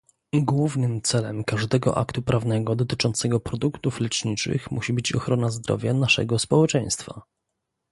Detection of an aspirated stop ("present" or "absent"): absent